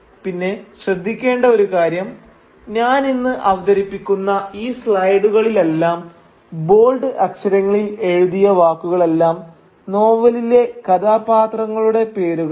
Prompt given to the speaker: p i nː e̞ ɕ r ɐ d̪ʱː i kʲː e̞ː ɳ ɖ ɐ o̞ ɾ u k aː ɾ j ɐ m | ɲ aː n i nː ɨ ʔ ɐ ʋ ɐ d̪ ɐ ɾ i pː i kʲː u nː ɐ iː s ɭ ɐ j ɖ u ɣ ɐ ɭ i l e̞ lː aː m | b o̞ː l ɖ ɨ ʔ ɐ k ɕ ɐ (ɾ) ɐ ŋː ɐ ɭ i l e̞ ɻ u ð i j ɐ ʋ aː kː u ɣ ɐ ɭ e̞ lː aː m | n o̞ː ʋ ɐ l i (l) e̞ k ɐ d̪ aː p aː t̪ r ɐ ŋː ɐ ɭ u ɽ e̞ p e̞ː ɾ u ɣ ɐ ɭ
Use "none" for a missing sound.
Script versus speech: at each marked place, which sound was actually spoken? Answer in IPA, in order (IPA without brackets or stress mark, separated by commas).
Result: ɾ, l